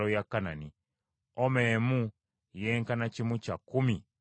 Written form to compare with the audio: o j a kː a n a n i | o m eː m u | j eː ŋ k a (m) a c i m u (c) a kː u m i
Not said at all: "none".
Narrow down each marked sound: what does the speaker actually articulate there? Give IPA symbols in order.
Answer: n, c

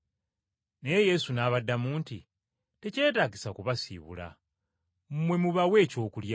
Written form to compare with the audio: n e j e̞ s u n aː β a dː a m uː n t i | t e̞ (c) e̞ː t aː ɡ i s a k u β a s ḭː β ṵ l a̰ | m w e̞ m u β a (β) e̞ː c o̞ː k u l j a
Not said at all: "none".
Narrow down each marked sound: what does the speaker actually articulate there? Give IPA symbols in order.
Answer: c, w

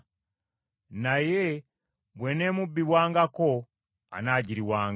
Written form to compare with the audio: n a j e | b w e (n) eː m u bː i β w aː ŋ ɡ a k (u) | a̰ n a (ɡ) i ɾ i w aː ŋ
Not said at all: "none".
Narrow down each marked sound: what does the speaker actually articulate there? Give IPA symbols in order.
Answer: n, o, ɟ

